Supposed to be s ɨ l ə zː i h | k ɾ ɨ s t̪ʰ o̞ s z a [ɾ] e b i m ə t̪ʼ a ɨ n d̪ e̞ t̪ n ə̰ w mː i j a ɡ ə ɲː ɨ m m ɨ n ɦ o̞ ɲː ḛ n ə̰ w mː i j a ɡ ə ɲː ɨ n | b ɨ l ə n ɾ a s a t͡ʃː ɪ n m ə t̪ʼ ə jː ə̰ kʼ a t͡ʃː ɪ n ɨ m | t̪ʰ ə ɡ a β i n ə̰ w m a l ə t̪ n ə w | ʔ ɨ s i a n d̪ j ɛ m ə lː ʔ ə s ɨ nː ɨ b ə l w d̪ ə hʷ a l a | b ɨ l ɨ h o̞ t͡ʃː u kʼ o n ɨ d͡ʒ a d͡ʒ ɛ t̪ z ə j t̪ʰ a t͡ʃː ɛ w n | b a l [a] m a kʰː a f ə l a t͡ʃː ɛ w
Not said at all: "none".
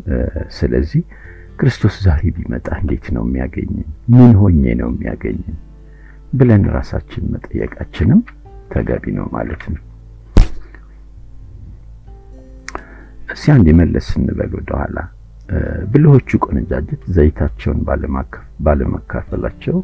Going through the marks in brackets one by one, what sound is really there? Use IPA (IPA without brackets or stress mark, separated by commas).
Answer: ɾ, ə